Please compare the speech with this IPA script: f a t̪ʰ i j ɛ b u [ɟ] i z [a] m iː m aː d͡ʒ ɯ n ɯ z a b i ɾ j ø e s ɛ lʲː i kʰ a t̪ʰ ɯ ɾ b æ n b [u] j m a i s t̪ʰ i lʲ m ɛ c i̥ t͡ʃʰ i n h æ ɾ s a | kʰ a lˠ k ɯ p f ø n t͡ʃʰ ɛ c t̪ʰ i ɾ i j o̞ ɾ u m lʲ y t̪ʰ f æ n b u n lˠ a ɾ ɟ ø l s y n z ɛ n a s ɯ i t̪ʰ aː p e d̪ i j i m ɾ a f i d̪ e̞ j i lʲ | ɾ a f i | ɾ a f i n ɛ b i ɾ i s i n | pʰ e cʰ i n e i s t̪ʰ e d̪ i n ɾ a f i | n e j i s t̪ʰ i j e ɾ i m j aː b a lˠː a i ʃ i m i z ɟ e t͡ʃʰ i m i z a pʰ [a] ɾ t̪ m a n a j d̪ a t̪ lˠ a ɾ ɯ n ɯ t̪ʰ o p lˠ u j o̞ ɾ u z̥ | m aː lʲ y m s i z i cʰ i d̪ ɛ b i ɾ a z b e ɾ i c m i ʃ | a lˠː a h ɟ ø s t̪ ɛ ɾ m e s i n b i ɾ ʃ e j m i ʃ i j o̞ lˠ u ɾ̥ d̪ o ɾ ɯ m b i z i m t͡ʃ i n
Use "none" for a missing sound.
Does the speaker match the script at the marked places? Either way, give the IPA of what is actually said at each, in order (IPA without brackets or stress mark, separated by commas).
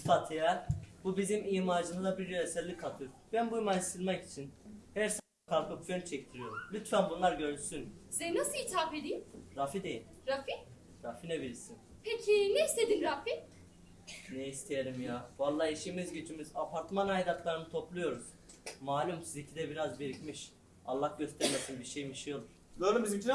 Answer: b, i, u, a